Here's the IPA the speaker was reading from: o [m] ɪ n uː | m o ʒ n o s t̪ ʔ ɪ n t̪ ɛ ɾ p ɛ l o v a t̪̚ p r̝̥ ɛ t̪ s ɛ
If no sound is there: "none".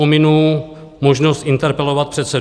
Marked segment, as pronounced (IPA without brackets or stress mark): m